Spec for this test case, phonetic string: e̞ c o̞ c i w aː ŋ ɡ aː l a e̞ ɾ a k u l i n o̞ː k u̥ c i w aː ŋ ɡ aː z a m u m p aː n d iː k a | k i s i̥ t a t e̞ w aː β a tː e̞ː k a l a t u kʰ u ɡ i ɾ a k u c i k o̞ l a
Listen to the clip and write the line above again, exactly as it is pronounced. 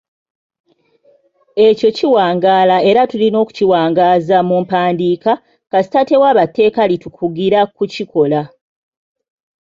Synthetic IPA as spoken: e̞ c o̞ c i w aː ŋ ɡ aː l a e̞ ɾ a t u l i n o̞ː k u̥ c i w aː ŋ ɡ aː z a m u m p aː n d iː k a | k a s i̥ t a t e̞ w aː β a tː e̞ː k a l i t u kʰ u ɡ i ɾ a k u c i k o̞ l a